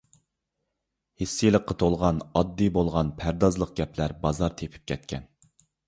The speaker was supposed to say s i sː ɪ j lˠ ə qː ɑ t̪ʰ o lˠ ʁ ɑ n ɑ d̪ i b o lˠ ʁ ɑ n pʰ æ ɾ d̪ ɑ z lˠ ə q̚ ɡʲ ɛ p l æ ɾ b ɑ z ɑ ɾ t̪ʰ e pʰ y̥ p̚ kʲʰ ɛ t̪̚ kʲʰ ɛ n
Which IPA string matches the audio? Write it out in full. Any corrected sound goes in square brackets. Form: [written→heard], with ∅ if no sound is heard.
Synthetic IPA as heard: [s→h] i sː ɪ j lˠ ə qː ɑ t̪ʰ o lˠ ʁ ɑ n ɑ [d̪→d̪ː] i b o lˠ ʁ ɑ n pʰ æ ɾ d̪ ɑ z lˠ ə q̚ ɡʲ ɛ p l æ ɾ b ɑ z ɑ ɾ t̪ʰ e pʰ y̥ p̚ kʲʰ ɛ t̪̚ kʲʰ ɛ n